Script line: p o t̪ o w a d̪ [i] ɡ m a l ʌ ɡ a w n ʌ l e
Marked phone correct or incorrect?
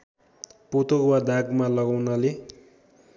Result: incorrect